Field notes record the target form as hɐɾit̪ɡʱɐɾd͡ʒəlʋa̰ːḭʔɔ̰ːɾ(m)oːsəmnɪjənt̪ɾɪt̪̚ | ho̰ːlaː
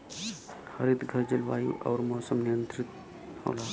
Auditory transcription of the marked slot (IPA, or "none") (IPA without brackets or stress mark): m